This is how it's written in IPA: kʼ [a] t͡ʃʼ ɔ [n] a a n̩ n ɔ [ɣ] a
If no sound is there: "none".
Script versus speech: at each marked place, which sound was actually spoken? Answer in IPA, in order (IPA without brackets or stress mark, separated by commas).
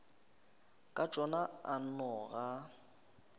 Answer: a, n, ɣ